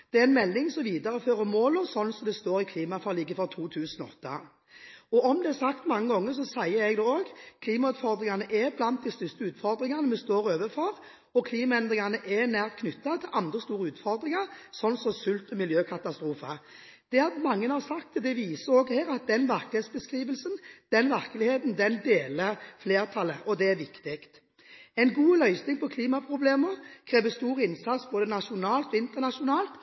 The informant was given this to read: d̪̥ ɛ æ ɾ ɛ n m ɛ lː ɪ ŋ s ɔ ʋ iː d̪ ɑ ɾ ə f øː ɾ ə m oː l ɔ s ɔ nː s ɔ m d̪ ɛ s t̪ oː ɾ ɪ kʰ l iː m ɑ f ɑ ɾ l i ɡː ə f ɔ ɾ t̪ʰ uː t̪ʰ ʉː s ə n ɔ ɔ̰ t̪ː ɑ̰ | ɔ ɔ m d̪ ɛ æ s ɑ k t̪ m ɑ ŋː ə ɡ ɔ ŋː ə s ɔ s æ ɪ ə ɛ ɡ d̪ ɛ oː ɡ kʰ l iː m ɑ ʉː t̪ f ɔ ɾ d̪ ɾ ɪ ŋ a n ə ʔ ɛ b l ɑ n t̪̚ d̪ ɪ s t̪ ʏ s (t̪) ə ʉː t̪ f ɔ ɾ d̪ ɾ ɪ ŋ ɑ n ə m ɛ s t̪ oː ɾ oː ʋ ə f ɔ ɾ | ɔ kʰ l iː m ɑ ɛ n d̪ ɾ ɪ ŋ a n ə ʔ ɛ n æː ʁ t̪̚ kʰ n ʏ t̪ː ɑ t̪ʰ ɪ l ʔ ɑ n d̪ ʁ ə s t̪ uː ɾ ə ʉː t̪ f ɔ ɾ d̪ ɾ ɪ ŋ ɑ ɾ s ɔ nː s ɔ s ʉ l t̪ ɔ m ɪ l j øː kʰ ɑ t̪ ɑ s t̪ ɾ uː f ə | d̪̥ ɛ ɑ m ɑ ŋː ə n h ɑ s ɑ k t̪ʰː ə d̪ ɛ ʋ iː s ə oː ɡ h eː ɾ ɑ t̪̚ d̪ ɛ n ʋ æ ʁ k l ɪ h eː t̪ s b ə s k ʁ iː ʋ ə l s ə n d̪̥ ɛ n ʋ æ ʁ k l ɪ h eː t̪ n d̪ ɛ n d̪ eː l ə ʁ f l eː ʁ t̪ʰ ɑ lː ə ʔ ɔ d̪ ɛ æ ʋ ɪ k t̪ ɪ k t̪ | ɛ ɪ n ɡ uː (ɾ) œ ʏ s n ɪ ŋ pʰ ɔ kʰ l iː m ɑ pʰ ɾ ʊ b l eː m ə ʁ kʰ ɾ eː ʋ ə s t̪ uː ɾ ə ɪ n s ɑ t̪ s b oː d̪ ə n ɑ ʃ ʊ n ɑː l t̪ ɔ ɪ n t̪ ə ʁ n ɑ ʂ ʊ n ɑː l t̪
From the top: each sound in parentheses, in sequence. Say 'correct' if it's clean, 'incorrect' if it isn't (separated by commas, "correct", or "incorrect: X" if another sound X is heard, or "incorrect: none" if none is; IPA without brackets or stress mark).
correct, incorrect: l